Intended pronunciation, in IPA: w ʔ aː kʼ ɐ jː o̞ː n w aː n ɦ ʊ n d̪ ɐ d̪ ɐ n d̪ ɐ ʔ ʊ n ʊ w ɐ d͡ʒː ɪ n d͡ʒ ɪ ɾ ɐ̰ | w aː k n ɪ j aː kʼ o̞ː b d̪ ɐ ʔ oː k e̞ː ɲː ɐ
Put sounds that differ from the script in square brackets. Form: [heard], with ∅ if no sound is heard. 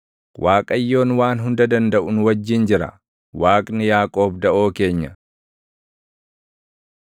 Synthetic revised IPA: w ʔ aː kʼ ɐ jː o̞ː n w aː n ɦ ʊ n d̪ ɐ d̪ ɐ n d̪ ɐ ʔ ʊ n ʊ w ɐ d͡ʒː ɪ n d͡ʒ ɪ ɾ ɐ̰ | w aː [kʼ] n ɪ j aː kʼ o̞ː b d̪ ɐ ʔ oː k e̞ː ɲː ɐ